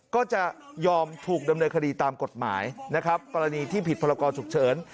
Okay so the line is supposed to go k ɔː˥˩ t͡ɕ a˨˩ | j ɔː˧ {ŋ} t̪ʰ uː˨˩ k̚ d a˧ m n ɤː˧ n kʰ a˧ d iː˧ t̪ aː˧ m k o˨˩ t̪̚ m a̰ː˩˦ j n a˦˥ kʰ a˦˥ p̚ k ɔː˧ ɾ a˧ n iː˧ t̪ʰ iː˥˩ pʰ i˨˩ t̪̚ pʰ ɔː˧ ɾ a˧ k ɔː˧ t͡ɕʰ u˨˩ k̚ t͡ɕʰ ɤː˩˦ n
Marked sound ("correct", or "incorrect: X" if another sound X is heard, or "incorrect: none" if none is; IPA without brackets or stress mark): incorrect: m